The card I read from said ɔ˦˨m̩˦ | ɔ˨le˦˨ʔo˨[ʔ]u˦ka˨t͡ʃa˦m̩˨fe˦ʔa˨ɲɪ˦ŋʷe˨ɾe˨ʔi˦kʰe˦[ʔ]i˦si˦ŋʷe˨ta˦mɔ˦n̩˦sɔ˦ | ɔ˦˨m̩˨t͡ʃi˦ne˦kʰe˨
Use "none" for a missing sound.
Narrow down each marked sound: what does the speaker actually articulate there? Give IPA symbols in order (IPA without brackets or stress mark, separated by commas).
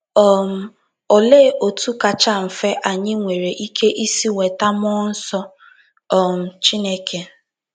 t, ʔ